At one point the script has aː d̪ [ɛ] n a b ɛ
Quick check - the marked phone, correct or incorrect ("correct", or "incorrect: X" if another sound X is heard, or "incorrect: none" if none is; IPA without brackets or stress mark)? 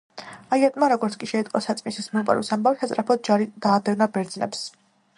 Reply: correct